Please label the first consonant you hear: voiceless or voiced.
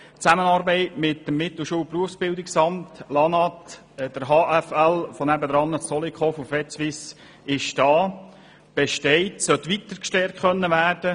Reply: voiceless